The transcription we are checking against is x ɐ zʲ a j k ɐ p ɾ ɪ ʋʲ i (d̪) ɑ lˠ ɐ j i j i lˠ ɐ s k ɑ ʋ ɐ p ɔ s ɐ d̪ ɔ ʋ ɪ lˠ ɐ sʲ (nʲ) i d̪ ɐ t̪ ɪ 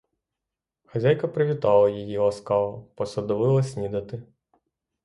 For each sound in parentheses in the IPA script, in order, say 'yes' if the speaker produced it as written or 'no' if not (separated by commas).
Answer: no, yes